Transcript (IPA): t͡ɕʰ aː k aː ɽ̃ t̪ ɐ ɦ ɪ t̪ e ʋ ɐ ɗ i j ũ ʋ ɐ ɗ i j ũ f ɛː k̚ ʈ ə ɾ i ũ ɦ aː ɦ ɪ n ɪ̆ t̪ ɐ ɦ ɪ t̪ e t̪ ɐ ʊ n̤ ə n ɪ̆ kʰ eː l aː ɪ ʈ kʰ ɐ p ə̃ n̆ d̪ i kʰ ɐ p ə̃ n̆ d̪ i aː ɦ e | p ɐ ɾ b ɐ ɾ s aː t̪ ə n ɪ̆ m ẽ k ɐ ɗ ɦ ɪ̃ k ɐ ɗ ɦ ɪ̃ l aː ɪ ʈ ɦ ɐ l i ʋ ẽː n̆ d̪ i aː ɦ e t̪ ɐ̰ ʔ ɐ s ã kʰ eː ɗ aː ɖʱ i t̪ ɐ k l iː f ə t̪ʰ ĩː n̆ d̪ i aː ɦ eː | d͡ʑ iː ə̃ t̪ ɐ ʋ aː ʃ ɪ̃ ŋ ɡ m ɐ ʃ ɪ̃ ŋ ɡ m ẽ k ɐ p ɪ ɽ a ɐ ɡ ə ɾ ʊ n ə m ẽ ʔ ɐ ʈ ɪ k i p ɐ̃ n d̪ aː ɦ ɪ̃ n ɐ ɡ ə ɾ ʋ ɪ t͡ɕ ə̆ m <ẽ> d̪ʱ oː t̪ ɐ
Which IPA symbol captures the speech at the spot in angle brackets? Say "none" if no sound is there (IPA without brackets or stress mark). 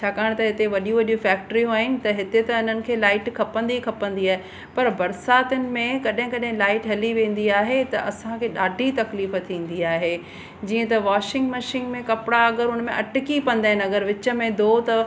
ẽ